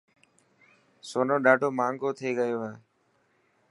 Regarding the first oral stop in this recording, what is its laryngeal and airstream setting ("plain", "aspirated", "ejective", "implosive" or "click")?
implosive